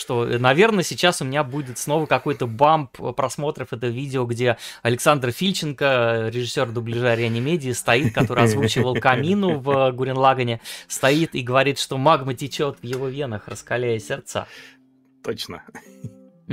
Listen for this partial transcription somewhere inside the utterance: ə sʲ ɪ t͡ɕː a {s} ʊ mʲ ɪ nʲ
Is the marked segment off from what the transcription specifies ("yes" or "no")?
no